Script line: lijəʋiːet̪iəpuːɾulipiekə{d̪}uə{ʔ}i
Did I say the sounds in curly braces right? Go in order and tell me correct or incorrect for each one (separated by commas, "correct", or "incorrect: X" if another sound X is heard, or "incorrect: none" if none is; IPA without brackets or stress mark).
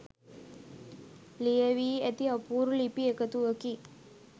incorrect: t̪, incorrect: k